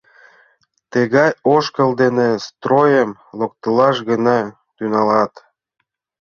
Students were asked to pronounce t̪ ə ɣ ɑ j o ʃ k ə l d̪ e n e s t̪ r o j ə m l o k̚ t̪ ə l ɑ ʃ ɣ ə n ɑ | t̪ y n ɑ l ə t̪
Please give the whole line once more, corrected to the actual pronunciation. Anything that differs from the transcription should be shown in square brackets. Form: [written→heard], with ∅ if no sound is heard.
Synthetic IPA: t̪ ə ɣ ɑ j o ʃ k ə l d̪ e n e s t̪ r o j ə m l o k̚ t̪ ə l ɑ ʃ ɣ ə n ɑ | t̪ y n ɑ l [ə→ɑ] t̪